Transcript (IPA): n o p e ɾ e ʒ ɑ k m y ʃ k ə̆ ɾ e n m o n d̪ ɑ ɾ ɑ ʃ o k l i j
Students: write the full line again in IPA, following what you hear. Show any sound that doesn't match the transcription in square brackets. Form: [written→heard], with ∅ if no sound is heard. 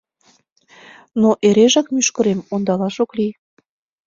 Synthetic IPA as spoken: n o [p→ʔ] e ɾ e ʒ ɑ k m y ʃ k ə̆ ɾ e [n→∅] m o n d̪ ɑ [ɾ→l] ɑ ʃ o k l i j